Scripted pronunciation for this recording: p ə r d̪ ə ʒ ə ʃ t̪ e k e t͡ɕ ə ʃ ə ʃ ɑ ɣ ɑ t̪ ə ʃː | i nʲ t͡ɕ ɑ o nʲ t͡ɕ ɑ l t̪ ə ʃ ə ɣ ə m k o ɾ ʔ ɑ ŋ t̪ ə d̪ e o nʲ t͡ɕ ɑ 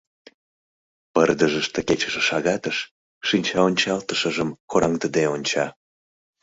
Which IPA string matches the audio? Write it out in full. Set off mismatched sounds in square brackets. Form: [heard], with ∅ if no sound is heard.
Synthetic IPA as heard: p ə r d̪ ə ʒ ə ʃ t̪ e k e t͡ɕ ə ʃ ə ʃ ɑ ɣ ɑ t̪ ə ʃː | i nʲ t͡ɕ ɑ o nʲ t͡ɕ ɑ l t̪ ə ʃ ə [ʒ] ə m k o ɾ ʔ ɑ ŋ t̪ ə d̪ e o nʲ t͡ɕ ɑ